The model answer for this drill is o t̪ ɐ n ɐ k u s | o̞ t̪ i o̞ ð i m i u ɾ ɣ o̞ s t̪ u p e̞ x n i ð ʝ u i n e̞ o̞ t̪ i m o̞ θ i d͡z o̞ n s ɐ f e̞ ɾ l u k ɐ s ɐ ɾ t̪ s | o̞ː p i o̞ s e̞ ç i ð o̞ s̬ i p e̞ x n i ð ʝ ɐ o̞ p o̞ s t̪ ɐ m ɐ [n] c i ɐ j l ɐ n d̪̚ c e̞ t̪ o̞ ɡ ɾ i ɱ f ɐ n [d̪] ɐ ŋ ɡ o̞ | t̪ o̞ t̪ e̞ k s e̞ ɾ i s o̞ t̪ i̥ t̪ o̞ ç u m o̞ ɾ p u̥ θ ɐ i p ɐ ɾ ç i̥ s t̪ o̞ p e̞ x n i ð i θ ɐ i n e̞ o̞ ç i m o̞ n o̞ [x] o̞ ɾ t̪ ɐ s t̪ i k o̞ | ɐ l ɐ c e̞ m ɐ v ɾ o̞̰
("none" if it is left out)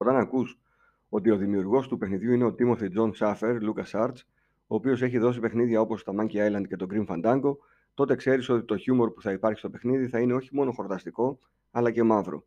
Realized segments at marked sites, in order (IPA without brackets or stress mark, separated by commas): ɲ, d̪, x